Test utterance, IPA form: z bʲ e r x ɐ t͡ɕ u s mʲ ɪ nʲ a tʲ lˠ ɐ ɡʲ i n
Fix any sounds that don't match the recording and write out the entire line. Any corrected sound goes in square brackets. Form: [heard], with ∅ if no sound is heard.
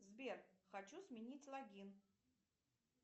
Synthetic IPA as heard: z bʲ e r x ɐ t͡ɕ u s mʲ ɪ nʲ [i] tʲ lˠ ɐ ɡʲ i n